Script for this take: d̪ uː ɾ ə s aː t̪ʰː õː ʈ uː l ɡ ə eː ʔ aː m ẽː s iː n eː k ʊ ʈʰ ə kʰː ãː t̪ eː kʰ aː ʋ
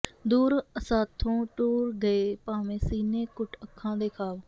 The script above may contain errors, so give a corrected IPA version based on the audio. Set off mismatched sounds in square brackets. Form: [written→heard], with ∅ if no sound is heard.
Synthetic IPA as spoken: d̪ uː ɾ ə s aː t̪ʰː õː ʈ uː [l→ɾ] ɡ ə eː [ʔ→p] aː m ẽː s iː n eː k ʊ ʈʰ ə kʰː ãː [t̪→d̪] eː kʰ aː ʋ